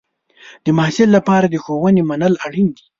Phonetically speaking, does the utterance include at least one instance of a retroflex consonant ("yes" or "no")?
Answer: yes